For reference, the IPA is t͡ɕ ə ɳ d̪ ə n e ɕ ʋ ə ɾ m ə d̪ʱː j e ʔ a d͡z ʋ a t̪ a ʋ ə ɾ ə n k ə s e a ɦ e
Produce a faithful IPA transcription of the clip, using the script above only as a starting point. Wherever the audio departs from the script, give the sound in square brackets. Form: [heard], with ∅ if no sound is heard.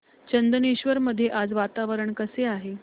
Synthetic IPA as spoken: t͡ɕ ə [n] d̪ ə n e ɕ ʋ ə ɾ m ə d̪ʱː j e ʔ a d͡z ʋ a t̪ a ʋ ə ɾ ə [ɳ] k ə s e a ɦ e